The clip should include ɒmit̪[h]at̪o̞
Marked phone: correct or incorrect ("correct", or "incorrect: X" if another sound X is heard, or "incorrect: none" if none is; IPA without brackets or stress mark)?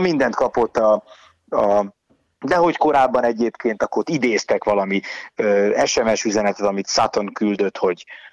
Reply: incorrect: s